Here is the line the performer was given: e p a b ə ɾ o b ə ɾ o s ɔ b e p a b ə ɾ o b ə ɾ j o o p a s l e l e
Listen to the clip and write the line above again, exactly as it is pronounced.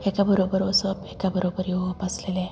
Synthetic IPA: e k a b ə ɾ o b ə ɾ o s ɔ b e k a b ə ɾ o b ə ɾ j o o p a s l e l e